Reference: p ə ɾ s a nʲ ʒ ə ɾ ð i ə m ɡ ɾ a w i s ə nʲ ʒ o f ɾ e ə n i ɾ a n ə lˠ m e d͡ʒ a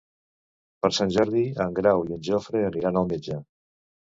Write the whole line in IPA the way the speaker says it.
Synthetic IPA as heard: p ə ɾ s a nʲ ʒ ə ɾ ð i ə ŋ ɡ ɾ a w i ə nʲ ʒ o f ɾ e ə n i ɾ a n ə lˠ m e d͡ʒ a